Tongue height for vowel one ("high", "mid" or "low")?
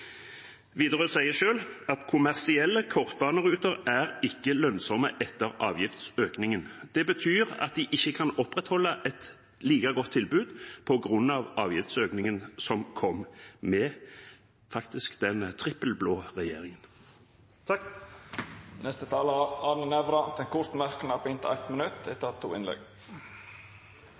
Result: high